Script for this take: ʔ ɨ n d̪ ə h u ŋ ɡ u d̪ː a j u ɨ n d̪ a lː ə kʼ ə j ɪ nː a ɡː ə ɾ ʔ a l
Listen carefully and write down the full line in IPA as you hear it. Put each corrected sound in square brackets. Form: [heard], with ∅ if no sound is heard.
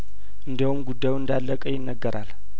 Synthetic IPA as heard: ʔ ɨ n d̪ ə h u [m] ɡ u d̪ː a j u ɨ n d̪ a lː ə kʼ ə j ɪ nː [ə] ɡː ə ɾ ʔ a l